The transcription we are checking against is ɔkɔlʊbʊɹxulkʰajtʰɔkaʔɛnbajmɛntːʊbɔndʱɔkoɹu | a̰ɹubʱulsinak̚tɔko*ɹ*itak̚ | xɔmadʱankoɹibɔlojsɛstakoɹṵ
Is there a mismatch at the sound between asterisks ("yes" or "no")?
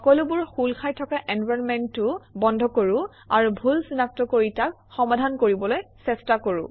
no